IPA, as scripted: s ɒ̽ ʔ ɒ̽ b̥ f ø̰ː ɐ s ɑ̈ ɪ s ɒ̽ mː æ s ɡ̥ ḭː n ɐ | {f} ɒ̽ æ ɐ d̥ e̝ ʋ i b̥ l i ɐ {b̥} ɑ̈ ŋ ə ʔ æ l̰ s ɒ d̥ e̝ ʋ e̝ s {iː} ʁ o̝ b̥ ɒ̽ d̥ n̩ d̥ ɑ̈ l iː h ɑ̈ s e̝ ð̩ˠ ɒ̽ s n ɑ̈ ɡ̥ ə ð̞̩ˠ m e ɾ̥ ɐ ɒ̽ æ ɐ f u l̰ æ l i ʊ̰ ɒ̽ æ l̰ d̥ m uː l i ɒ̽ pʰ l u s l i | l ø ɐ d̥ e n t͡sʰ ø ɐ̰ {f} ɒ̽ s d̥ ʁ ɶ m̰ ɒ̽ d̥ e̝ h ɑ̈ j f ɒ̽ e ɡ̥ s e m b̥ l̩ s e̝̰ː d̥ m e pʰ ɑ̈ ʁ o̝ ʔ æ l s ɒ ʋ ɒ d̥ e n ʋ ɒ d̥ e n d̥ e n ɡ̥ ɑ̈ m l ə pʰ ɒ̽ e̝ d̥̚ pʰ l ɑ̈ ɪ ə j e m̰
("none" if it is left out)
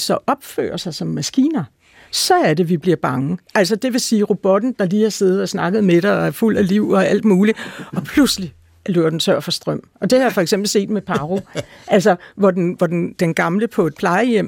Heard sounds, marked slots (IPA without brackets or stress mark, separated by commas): s, b̥, iː, f